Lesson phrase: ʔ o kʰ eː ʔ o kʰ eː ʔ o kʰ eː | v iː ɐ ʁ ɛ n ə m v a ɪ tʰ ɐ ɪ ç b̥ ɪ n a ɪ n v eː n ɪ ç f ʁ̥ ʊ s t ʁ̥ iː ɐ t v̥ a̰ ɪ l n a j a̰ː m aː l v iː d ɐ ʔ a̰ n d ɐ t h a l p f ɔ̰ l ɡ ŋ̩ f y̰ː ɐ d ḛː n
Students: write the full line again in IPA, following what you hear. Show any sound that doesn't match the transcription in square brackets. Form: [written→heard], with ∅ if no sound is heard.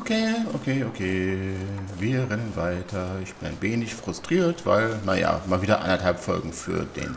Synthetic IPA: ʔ o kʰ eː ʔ o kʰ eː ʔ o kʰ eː | v iː ɐ ʁ ɛ n ə [m→n] v a ɪ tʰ ɐ ɪ ç b̥ ɪ n a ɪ n v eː n ɪ ç f ʁ̥ ʊ s t ʁ̥ iː ɐ t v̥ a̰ ɪ l n a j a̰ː m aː l v iː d ɐ ʔ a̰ n d ɐ t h a l p f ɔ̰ l ɡ ŋ̩ f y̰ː ɐ d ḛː n